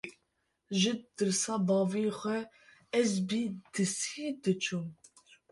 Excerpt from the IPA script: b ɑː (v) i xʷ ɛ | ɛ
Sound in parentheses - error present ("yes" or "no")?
no